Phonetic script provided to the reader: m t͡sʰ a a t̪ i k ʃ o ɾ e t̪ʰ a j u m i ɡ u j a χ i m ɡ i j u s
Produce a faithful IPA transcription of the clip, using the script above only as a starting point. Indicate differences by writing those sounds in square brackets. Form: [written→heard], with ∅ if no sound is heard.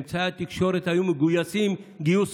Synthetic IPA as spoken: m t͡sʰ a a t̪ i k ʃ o ɾ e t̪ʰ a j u m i ɡ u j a [χ→s] i m ɡ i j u s